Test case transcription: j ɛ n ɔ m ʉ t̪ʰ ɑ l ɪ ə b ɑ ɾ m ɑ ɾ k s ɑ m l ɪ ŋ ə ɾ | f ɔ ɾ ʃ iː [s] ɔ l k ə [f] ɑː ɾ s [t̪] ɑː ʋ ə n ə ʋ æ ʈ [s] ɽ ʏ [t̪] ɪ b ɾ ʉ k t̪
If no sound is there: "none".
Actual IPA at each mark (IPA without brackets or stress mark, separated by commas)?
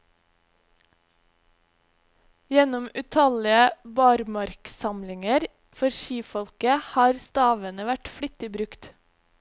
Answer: f, h, t̪, f, t̪